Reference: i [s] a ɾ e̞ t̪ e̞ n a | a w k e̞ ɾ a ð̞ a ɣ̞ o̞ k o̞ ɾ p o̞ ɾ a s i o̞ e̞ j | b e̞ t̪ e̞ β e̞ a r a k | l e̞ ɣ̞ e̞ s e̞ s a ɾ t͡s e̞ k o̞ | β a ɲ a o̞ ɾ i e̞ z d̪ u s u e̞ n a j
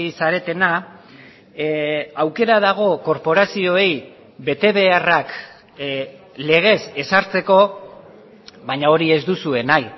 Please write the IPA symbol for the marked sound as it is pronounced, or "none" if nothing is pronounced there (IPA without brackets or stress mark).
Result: s